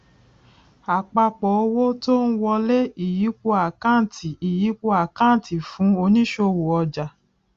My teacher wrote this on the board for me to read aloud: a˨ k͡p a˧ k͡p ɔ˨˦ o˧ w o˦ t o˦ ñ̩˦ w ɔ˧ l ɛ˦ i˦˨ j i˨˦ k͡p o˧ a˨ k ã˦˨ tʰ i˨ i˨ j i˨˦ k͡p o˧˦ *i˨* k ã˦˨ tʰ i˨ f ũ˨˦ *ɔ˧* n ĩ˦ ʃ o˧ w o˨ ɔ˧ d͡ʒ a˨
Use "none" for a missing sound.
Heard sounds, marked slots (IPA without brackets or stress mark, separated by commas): a˨, o˧